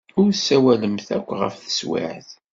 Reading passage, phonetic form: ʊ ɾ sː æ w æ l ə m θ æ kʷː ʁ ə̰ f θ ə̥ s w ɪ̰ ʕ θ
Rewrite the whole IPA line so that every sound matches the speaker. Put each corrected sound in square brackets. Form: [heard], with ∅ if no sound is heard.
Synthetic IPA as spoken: ʊ ɾ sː æ w æ l ə m θ æ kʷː ʁ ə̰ f θ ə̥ s w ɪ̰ ʕ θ